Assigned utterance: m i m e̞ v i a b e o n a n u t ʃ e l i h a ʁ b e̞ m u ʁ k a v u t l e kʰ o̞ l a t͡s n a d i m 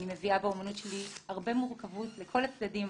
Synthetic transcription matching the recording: n i m e̞ v i a b e o m a n u t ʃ e l i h a ʁ b e̞ m u ʁ k a v u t l e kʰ o̞ l a t͡s d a d i m